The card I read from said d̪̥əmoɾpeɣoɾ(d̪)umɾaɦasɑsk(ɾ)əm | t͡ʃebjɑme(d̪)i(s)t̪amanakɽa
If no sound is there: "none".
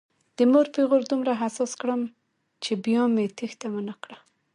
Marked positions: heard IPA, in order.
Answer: d̪, ɽ, t̪, x

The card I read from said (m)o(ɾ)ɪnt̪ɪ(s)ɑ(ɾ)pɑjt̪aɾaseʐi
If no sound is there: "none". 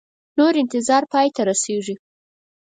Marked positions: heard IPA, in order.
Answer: n, ɾ, z, ɾ

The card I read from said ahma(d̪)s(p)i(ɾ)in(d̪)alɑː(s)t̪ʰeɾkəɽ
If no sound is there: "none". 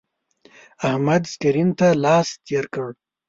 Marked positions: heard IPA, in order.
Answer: d̪, k, ɾ, t̪, s

